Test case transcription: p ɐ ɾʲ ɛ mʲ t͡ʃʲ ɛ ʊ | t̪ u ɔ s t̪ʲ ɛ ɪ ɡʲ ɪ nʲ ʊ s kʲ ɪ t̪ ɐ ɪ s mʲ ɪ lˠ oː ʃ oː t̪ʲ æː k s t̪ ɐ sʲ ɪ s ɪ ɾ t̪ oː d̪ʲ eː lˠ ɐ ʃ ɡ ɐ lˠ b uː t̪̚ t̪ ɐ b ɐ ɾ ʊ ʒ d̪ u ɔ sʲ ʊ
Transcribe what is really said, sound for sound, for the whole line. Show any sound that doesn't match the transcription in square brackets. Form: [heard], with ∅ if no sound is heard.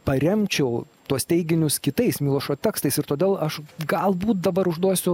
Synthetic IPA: p ɐ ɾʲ ɛ mʲ t͡ʃʲ ɛ ʊ | t̪ u ɔ s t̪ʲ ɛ ɪ ɡʲ ɪ nʲ ʊ s kʲ ɪ t̪ ɐ ɪ s mʲ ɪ lˠ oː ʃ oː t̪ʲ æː k s t̪ ɐ [∅] ɪ s ɪ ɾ t̪ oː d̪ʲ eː lˠ ɐ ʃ ɡ ɐ lˠ b uː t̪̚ [d̪] ɐ b ɐ ɾ ʊ ʒ d̪ u ɔ sʲ ʊ